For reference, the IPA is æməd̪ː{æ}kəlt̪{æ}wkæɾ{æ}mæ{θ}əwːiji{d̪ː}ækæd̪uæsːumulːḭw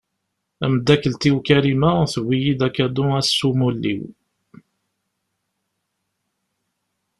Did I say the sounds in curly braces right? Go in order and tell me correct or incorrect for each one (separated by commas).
correct, incorrect, incorrect, correct, incorrect